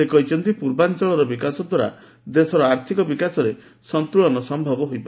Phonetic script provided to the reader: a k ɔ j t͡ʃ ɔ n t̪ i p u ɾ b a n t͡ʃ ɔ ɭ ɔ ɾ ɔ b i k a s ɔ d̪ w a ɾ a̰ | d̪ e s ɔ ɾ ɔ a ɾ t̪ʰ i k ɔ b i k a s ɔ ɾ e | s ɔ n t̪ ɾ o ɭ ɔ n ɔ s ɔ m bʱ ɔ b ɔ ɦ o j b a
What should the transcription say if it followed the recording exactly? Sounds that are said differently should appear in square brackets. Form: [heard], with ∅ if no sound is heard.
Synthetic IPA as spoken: [e] k ɔ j t͡ʃ ɔ n t̪ i p u ɾ b a n t͡ʃ ɔ ɭ ɔ ɾ ɔ b i k a s ɔ d̪ w a ɾ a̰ | d̪ e s ɔ ɾ ɔ a ɾ t̪ʰ i k ɔ b i k a s ɔ ɾ e | s ɔ n t̪ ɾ [u] ɭ ɔ n ɔ s ɔ m bʱ ɔ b ɔ ɦ o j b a

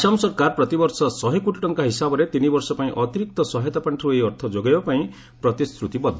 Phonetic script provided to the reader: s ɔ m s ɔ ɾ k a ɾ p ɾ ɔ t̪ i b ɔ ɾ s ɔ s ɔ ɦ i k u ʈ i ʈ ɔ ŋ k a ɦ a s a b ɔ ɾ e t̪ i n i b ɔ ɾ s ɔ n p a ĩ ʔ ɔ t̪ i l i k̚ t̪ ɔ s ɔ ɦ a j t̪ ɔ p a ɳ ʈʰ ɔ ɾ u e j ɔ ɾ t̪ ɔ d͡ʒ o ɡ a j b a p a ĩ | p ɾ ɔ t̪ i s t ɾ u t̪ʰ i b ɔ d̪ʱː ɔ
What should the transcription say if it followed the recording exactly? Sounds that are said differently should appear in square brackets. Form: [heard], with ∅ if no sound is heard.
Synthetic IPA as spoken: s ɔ m s ɔ ɾ k a ɾ p ɾ ɔ t̪ i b ɔ ɾ s ɔ s ɔ ɦ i k u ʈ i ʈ ɔ ŋ k a ɦ [i] s a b ɔ ɾ e t̪ i n i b ɔ ɾ s ɔ [∅] p a ĩ ʔ ɔ t̪ i [ɾ] i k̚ t̪ ɔ s ɔ ɦ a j t̪ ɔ p a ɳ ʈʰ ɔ ɾ u e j ɔ ɾ [t̪ʰ] ɔ d͡ʒ o ɡ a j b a p a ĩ | p ɾ ɔ t̪ i s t ɾ u [t̪] i b ɔ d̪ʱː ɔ

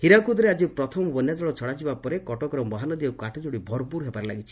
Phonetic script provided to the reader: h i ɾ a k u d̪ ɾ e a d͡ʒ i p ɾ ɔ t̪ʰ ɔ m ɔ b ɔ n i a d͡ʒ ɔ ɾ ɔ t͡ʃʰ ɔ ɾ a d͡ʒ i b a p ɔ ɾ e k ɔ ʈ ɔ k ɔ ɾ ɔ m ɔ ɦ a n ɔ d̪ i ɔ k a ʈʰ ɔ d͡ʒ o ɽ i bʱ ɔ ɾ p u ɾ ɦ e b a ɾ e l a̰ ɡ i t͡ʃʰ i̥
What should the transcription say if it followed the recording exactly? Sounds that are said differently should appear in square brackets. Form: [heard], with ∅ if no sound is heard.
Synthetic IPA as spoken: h i ɾ a k u d̪ ɾ e a d͡ʒ i p ɾ ɔ t̪ʰ ɔ m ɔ b ɔ n [j] a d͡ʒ ɔ [ɭ] ɔ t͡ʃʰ ɔ [ɽ] a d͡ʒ i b a p ɔ ɾ e k ɔ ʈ ɔ k ɔ ɾ ɔ m ɔ ɦ a n ɔ d̪ i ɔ k a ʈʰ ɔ d͡ʒ o ɽ i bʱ ɔ ɾ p u ɾ ɦ e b a ɾ e l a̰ ɡ i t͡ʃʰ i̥

